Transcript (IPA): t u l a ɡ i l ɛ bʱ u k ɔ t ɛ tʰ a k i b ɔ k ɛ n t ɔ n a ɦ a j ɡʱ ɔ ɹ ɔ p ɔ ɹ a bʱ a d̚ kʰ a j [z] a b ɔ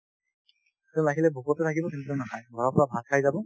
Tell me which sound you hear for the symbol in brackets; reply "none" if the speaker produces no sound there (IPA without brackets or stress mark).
z